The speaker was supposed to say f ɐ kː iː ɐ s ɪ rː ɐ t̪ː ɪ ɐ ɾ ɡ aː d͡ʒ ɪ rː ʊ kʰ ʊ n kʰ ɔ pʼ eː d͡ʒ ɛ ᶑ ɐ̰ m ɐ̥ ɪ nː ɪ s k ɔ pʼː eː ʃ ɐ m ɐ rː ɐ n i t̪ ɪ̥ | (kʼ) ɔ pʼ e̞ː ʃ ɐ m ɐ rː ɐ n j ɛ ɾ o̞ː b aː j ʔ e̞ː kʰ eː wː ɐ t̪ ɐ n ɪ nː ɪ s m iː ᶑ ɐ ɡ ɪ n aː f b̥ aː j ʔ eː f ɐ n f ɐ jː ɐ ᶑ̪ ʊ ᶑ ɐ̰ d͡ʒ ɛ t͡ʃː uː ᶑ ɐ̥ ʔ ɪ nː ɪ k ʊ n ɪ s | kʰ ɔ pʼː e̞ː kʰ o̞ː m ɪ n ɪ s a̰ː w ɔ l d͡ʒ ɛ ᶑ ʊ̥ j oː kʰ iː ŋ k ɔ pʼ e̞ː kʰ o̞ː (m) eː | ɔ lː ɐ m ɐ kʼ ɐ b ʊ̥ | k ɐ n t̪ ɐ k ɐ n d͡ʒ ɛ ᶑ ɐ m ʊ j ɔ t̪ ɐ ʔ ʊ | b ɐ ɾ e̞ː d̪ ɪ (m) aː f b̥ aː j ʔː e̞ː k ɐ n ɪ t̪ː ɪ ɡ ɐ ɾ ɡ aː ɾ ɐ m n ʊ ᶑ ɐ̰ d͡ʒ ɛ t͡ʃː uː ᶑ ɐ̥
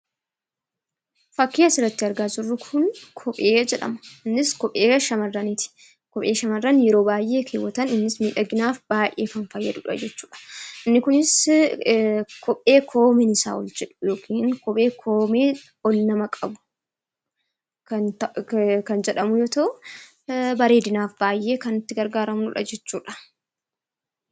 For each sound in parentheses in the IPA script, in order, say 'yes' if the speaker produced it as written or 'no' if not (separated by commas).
no, yes, no